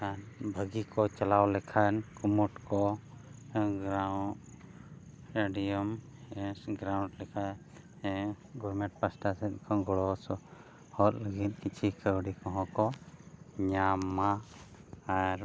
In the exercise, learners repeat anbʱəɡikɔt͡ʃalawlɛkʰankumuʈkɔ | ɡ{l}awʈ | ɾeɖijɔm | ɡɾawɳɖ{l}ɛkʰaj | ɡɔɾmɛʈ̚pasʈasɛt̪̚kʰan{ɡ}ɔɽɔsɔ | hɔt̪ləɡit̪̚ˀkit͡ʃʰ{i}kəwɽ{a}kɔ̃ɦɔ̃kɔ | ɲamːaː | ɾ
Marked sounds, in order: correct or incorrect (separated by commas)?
incorrect, correct, correct, correct, incorrect